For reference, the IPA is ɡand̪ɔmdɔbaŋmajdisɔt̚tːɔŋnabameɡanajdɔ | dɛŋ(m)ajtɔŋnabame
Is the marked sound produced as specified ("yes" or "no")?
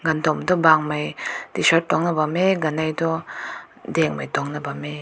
yes